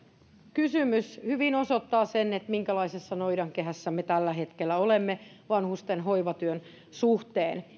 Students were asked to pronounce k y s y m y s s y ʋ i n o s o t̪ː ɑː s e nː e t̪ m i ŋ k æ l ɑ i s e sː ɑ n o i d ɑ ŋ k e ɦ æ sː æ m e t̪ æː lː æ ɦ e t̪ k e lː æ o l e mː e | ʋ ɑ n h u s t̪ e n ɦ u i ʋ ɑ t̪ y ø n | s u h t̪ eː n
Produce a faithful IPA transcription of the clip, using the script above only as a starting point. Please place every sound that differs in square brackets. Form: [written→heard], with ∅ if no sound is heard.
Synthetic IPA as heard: k y s y m y s [s→h] y ʋ i n o s o t̪ː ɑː s e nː e t̪ m i ŋ k æ l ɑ i s e sː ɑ n o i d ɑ ŋ k e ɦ æ sː æ m e t̪ [æː→æ] lː æ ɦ e t̪ k e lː æ o l e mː e | ʋ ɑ n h u s t̪ e n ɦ [u→o] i ʋ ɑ t̪ y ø n | s u h t̪ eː n